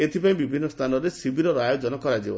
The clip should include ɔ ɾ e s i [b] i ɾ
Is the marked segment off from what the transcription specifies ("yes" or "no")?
no